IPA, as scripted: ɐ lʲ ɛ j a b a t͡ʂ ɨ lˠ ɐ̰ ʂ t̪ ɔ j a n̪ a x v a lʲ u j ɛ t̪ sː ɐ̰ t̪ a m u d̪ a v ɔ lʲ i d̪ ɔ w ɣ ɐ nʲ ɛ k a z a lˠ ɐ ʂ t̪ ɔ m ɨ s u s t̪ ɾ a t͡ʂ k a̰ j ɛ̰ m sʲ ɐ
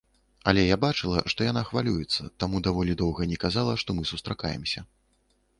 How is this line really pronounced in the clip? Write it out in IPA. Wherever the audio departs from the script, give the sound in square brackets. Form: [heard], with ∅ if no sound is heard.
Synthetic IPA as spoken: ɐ lʲ ɛ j a b a t͡ʂ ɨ lˠ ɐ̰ ʂ t̪ ɔ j a n̪ a x v a lʲ u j ɛ t̪ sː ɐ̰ t̪ a m u d̪ a v ɔ lʲ i d̪ ɔ w ɣ ɐ nʲ ɛ k a z a lˠ ɐ ʂ t̪ ɔ m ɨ s u s t̪ ɾ a [∅] k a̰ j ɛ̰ m sʲ ɐ